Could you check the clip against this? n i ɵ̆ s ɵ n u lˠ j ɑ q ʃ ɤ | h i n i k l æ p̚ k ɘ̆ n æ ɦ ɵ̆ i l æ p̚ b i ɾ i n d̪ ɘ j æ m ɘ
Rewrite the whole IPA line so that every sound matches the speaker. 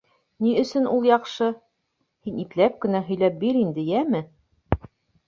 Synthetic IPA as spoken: n i ɵ̆ s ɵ n u lˠ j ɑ q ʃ ɤ | h i n i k l æ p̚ k ɘ̆ n æ ɦ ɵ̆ j l æ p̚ b i ɾ i n d̪ ɘ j æ m ɘ